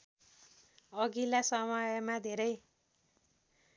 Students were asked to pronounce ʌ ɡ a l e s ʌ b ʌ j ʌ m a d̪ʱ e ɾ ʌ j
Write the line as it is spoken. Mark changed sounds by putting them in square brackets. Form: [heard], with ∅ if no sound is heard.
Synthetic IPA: ʌ ɡ [i] l [a] s ʌ [m] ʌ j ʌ m a d̪ʱ e ɾ ʌ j